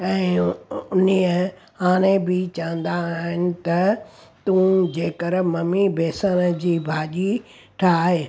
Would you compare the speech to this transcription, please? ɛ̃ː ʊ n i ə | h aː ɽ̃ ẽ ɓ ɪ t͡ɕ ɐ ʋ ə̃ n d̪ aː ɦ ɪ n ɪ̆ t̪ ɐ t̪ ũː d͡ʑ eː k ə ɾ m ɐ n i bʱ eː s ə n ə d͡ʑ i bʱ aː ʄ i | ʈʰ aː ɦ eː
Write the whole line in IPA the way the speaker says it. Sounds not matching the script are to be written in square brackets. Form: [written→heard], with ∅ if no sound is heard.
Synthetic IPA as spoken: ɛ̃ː ʊ n i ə | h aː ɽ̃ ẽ [ɓ→b] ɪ t͡ɕ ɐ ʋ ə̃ n d̪ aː ɦ ɪ n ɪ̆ t̪ ɐ t̪ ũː d͡ʑ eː k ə ɾ m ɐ [n→m] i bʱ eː s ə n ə d͡ʑ [i→iː] bʱ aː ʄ i | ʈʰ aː ɦ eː